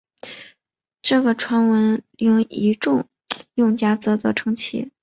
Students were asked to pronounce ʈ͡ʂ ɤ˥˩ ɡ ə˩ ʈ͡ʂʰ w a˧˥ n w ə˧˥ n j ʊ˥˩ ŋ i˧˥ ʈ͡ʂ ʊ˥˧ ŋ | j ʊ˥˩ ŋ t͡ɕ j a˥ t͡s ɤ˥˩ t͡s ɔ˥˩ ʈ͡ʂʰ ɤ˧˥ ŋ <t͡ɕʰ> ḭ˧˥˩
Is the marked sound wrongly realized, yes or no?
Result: no